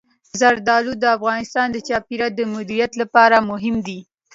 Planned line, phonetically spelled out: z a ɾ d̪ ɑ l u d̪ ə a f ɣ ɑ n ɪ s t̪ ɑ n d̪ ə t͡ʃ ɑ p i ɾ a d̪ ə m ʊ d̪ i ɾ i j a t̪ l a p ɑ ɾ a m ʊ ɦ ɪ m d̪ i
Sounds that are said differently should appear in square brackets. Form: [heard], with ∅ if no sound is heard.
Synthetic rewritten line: z a ɾ d̪ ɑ l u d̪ ə a f ɣ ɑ n ɪ s t̪ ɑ n d̪ ə t͡ʃ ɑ p i ɾ a d̪ ə m ʊ d̪ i ɾ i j a t̪ l a p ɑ ɾ a m ʊ ɦ ɪ m d̪ i